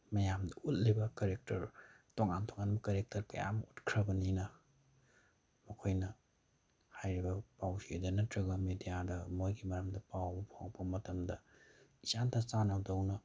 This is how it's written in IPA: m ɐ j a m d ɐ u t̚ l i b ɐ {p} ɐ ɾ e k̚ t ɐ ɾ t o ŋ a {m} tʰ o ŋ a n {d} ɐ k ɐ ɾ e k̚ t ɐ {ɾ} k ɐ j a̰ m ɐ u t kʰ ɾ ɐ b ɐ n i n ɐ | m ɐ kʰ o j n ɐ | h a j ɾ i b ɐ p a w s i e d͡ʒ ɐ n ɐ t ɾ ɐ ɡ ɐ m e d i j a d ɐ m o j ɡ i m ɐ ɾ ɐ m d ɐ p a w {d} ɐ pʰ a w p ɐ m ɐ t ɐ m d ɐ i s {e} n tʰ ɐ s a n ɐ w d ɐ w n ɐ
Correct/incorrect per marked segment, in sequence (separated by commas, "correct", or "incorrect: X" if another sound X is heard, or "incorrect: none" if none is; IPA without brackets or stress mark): incorrect: k, incorrect: n, incorrect: b, correct, incorrect: b, incorrect: a